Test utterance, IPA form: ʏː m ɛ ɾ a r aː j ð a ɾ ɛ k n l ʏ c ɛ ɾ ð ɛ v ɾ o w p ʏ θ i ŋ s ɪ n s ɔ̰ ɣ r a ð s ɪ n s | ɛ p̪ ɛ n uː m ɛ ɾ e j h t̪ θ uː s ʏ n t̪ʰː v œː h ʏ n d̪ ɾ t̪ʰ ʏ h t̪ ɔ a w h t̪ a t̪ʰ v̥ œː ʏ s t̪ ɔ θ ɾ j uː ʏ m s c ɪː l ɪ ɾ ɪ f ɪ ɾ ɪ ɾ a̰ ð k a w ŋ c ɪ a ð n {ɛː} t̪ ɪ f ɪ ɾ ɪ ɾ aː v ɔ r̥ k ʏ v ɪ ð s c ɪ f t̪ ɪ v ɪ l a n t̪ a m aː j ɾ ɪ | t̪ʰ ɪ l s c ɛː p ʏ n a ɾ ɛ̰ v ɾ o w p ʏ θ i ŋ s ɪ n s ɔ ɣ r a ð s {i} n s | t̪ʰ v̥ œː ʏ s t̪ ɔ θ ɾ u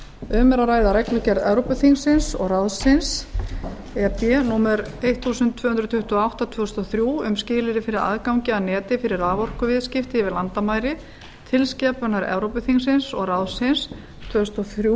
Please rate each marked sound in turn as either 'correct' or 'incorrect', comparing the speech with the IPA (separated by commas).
correct, incorrect